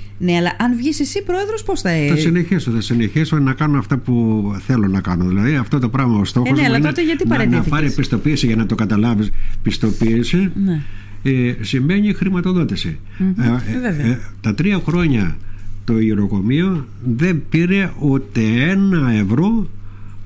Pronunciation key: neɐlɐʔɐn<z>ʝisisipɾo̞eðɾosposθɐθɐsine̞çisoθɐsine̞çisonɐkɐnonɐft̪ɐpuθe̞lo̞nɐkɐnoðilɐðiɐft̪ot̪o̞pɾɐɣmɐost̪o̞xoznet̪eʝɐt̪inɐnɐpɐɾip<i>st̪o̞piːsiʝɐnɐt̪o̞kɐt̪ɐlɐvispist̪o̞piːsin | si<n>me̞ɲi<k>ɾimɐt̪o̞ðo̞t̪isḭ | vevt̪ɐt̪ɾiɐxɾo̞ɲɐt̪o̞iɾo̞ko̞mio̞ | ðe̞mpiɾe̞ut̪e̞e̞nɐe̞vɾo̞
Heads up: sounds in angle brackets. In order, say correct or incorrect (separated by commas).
incorrect, correct, incorrect, incorrect